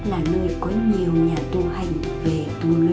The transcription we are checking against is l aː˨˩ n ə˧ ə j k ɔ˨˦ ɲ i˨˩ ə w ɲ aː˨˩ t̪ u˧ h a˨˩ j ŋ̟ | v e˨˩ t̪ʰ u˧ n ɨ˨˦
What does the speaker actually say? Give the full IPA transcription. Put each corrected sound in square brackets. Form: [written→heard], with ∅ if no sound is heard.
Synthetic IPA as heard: l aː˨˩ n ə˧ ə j k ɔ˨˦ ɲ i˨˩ ə w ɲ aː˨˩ t̪ u˧ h a˨˩ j ŋ̟ | v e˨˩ [t̪ʰ→t̪] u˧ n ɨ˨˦